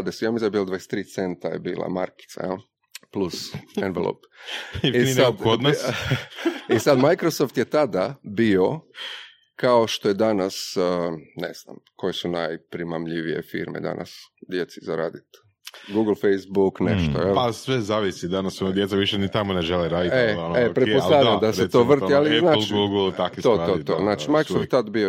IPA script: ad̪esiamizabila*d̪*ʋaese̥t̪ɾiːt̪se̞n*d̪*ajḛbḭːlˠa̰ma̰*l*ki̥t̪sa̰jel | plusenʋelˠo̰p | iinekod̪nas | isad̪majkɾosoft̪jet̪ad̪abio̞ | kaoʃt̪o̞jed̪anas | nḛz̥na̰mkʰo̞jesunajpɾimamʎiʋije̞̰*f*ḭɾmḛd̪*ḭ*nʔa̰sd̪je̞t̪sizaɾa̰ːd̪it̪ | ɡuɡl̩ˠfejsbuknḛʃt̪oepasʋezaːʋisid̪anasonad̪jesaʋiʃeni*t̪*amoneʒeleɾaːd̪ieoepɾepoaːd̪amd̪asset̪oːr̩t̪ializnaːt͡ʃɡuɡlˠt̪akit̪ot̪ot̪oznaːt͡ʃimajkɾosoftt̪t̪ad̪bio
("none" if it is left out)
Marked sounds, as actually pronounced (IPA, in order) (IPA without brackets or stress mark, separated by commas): d̪, t̪, ɾ, f, a̰, t̪